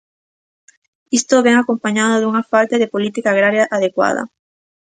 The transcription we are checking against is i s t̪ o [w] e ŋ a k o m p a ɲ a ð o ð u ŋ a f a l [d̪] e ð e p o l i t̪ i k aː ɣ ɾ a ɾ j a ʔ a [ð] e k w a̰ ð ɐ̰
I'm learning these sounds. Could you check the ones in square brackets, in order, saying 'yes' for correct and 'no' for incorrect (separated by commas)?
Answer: no, no, yes